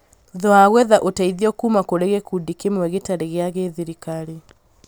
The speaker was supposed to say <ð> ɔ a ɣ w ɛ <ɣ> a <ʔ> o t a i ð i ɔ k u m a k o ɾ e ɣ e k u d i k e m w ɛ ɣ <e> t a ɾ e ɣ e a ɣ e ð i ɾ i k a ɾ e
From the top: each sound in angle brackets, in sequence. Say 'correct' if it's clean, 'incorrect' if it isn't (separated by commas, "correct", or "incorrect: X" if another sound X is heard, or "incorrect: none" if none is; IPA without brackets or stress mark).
correct, incorrect: ð, correct, correct